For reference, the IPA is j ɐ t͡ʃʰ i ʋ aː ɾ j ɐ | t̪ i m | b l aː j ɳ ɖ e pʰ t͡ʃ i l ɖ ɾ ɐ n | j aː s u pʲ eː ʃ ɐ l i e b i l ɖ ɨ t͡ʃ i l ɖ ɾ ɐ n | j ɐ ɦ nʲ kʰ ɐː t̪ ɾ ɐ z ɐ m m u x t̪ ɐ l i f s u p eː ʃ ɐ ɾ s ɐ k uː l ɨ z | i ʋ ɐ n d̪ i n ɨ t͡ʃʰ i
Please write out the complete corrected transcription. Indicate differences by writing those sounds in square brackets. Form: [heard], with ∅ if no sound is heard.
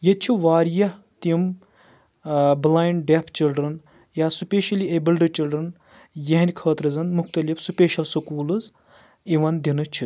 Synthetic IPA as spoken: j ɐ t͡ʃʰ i ʋ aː ɾ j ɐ | t̪ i m | b l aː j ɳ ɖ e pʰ t͡ʃ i l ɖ ɾ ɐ n | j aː s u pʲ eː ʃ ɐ l i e b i l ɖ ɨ t͡ʃ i l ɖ ɾ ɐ n | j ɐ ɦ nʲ kʰ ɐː t̪ ɾ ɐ z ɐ [n] m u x t̪ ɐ l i f s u p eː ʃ ɐ [l] s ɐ k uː l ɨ z | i ʋ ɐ n d̪ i n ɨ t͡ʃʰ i